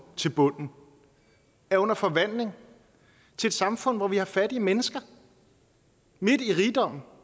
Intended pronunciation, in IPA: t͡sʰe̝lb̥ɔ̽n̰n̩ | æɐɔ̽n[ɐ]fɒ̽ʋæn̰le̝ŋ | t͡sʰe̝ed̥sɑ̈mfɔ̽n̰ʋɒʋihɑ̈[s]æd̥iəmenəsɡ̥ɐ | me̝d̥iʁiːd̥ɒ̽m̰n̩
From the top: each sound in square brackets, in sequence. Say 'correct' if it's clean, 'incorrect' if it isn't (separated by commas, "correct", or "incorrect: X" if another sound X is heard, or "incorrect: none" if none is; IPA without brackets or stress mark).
correct, incorrect: f